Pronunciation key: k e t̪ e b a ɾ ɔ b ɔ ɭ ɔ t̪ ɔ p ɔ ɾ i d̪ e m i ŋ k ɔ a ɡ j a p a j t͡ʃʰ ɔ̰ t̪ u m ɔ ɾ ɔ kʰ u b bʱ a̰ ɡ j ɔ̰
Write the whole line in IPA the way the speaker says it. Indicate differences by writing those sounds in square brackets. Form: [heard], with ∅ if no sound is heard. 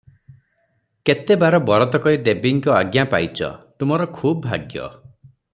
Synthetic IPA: k e t̪ e b a ɾ ɔ b ɔ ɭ ɔ t̪ ɔ [k] ɔ ɾ i d̪ e [b] i ŋ k ɔ a ɡ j a p a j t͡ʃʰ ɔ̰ t̪ u m ɔ ɾ ɔ kʰ u b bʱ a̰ ɡ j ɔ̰